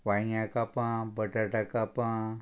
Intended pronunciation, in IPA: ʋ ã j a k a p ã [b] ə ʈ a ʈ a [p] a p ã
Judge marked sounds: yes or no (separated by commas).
yes, no